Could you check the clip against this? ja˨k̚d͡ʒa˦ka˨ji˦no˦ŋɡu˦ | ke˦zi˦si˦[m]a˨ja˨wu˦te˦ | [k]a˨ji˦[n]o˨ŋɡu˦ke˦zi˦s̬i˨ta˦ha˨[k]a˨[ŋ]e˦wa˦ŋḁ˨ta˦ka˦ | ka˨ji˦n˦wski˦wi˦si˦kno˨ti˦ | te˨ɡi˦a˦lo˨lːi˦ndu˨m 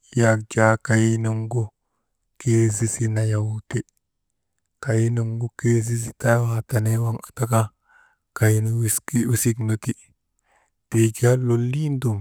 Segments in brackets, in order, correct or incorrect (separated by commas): incorrect, correct, correct, incorrect, incorrect